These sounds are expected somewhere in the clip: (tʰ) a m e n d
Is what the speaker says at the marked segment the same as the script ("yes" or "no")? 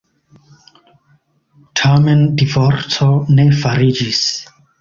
yes